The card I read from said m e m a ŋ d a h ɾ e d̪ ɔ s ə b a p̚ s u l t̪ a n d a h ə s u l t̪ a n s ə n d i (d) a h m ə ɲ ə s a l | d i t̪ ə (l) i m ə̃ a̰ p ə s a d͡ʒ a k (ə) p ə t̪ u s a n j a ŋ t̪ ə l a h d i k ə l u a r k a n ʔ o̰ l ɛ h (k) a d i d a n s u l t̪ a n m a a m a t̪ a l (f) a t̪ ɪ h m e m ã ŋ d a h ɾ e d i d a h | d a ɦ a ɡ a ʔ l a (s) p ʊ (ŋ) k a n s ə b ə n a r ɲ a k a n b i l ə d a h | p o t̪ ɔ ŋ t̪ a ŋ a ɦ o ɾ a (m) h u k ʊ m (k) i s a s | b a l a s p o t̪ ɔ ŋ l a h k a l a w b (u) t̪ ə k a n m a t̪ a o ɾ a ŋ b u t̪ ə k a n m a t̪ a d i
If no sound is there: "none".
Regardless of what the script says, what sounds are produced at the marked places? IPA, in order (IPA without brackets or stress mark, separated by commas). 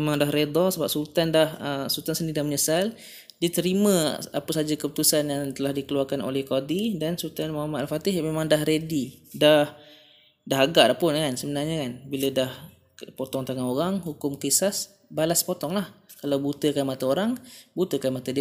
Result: d, ɾ, ə, k, f, h, n, ŋ, k, u